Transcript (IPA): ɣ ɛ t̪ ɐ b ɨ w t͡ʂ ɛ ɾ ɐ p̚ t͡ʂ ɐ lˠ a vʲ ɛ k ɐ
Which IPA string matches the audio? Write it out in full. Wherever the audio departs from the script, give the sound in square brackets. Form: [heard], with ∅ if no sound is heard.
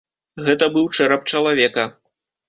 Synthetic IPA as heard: ɣ ɛ t̪ ɐ b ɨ w t͡ʂ ɛ ɾ ɐ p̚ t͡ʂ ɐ lˠ a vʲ ɛ k ɐ